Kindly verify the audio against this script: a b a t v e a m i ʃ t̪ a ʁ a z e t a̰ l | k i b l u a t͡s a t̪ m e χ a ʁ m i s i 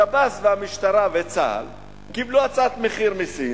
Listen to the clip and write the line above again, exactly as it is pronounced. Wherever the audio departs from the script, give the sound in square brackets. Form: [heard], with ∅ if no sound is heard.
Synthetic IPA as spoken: a b a [s] v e a m i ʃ t̪ a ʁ a [v] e [t͡s] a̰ l | k i b l u a t͡s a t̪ m e χ [i] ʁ m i s i